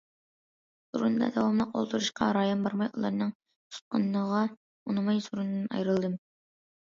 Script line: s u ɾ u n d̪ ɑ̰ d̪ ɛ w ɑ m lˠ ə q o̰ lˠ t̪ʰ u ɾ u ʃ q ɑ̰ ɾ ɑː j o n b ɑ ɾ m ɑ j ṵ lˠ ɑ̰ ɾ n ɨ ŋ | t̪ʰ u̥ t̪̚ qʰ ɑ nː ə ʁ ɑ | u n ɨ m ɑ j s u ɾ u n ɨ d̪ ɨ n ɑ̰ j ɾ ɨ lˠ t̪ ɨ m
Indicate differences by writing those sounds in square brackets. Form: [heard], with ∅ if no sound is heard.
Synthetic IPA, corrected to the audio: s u ɾ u n d̪ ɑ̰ d̪ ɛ w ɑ m lˠ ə q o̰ lˠ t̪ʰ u ɾ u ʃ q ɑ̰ ɾ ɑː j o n b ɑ ɾ m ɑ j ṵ lˠ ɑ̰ ɾ n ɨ ŋ | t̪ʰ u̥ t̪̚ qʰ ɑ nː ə ʁ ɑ | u n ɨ m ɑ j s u ɾ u n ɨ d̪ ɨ n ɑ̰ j ɾ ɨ lˠ [d̪] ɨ m

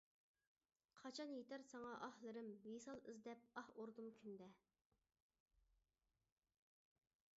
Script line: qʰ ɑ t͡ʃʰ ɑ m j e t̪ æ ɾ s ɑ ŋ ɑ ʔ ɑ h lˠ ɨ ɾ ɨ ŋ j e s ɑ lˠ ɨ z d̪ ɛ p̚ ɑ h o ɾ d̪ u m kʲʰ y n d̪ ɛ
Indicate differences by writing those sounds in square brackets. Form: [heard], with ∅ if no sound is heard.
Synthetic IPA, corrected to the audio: qʰ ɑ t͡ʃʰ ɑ [n] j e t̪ æ ɾ s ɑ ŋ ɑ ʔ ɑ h lˠ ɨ ɾ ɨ [m] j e s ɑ lˠ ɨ z d̪ ɛ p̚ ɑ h o ɾ d̪ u m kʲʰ y n d̪ ɛ

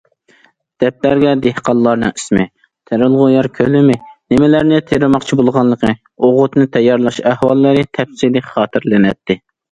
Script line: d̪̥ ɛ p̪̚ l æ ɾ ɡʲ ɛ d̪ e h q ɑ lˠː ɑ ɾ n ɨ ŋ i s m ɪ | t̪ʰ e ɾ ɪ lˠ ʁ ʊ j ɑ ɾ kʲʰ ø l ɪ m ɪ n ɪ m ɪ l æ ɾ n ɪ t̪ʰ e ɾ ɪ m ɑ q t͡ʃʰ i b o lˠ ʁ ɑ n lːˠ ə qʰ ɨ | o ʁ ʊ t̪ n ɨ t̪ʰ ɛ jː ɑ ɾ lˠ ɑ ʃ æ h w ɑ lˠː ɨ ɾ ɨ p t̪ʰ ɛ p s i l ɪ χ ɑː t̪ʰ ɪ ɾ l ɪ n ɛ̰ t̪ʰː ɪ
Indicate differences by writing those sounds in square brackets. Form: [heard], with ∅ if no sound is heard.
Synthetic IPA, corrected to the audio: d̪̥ ɛ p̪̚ l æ ɾ ɡʲ ɛ d̪ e h q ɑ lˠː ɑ ɾ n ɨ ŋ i s m ɪ | t̪ʰ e ɾ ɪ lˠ ʁ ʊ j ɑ ɾ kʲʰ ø l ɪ m ɪ n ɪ m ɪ l æ ɾ n ɪ t̪ʰ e ɾ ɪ m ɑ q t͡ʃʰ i b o lˠ ʁ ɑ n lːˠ ə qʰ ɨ | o ʁ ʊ t̪ n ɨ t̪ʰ ɛ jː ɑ ɾ lˠ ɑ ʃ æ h w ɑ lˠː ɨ ɾ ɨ [∅] t̪ʰ ɛ p s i l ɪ χ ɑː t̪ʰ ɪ ɾ l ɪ n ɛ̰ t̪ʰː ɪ

